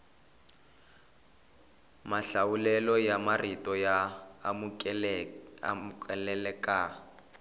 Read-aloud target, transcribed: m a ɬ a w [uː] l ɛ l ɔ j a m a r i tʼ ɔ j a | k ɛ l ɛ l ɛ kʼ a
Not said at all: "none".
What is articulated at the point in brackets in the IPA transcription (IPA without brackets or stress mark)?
u